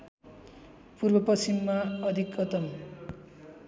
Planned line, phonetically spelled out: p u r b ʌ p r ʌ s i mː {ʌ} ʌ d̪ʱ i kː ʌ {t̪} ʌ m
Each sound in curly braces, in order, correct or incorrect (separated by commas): incorrect, correct